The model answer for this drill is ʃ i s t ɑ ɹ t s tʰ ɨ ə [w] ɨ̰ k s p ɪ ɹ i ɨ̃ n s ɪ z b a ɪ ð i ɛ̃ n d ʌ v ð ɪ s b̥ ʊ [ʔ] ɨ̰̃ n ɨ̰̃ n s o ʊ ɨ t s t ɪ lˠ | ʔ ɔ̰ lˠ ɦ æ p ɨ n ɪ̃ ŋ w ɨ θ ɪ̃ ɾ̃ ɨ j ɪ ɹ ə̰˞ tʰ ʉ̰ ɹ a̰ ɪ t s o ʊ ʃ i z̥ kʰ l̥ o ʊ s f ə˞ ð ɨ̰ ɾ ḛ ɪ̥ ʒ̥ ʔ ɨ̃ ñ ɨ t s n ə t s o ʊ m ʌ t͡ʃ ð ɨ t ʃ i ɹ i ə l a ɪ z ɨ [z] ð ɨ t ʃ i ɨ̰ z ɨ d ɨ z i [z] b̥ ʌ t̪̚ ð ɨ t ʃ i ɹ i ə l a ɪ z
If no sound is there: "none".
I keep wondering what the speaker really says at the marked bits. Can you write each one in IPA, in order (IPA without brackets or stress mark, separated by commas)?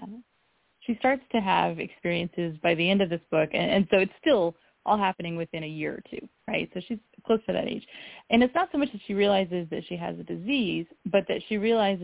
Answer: v, k, z, z